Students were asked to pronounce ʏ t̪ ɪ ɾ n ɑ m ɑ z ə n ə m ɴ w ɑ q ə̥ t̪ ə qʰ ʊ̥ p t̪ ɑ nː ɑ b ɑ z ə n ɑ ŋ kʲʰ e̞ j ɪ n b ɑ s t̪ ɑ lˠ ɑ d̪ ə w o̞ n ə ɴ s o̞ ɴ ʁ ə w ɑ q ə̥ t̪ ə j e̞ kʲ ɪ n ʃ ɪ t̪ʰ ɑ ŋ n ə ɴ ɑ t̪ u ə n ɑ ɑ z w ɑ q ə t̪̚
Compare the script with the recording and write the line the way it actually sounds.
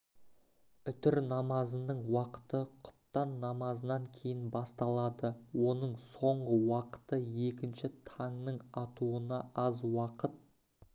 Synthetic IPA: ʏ t̪ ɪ ɾ n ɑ m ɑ z ə n ə ɴ w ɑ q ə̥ t̪ ə qʰ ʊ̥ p t̪ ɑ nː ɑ m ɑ z ə n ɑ ŋ kʲʰ e̞ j ɪ n b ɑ s t̪ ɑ lˠ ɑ d̪ ə w o̞ n ə ɴ s o̞ ɴ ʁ ə w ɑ q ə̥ t̪ ə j e̞ kʲ ɪ n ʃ ɪ t̪ʰ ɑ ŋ n ə ɴ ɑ t̪ u ə n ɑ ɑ z w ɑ q ə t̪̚